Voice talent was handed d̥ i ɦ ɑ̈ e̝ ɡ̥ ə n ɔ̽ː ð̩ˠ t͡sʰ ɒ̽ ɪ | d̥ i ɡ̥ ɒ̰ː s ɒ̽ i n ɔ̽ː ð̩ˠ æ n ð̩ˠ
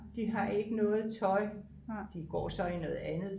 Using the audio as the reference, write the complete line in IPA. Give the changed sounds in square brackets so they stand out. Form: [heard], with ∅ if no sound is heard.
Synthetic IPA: d̥ i ɦ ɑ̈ e̝ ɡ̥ ə n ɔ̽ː ð̩ˠ t͡sʰ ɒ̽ ɪ | d̥ i ɡ̥ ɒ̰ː s ɒ̽ i n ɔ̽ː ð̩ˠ æ n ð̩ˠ